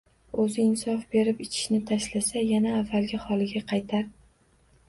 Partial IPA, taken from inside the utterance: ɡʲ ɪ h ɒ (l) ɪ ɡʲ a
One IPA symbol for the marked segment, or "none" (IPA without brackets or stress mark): l